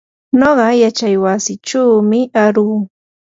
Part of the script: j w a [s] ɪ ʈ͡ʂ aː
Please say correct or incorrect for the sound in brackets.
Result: correct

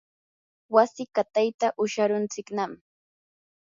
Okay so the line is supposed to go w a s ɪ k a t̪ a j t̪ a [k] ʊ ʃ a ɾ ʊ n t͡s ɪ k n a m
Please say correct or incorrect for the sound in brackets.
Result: incorrect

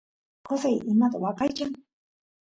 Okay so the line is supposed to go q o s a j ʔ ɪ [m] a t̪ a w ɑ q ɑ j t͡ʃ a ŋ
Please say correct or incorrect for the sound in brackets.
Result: correct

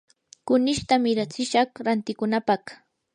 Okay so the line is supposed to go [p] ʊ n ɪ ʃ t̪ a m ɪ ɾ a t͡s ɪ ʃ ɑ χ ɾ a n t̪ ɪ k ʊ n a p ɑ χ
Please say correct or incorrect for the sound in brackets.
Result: incorrect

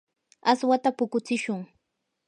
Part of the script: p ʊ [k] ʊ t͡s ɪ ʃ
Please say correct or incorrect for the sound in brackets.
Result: correct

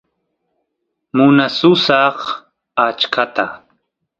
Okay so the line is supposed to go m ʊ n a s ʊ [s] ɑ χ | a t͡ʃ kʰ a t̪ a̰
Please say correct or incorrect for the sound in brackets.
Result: correct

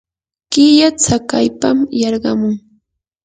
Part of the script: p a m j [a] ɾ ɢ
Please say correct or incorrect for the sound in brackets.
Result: incorrect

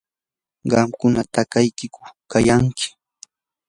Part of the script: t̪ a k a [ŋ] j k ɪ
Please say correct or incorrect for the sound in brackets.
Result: incorrect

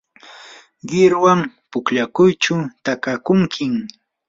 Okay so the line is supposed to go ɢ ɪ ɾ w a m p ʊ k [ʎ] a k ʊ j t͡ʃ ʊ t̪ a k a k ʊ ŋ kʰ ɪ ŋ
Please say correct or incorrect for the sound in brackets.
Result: correct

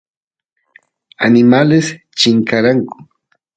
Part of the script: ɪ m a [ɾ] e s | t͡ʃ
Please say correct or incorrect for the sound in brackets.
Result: incorrect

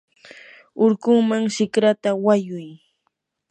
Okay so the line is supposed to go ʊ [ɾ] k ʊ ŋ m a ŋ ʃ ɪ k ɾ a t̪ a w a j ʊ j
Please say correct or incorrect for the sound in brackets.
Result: correct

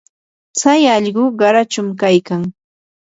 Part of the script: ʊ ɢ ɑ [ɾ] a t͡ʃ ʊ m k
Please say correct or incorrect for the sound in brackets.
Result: correct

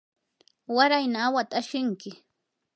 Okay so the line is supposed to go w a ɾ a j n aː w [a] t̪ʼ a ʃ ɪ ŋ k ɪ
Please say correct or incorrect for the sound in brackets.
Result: correct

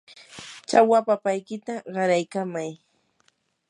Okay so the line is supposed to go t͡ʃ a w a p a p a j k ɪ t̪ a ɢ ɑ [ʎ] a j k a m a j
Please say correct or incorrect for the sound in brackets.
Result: incorrect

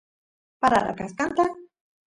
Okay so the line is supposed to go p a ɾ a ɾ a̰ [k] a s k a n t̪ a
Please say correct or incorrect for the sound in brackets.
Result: correct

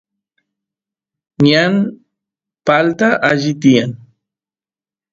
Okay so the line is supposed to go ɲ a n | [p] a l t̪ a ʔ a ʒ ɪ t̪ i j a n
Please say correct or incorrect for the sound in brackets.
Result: correct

